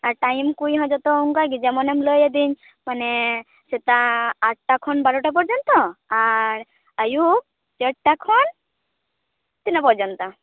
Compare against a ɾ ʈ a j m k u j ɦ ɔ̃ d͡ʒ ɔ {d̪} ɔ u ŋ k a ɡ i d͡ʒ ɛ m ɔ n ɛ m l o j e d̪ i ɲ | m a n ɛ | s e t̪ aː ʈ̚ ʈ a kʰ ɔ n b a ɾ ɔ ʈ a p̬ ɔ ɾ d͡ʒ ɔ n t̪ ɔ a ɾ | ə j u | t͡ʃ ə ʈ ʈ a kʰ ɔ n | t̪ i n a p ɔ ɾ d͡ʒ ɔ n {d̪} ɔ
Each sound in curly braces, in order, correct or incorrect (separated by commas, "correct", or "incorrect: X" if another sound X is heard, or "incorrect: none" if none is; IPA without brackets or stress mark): incorrect: t̪, incorrect: t̪